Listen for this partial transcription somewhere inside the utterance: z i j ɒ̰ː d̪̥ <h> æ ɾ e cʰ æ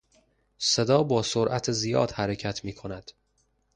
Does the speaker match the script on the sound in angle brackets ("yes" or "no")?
yes